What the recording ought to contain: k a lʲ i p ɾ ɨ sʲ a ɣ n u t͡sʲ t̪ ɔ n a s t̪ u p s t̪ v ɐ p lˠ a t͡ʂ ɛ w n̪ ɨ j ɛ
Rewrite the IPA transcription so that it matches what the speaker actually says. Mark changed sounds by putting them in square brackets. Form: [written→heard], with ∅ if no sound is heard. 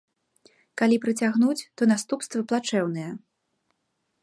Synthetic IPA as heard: k a lʲ i p ɾ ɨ [sʲ→t͡sʲ] a ɣ n u t͡sʲ t̪ ɔ n a s t̪ u p s t̪ v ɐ p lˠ a t͡ʂ ɛ w n̪ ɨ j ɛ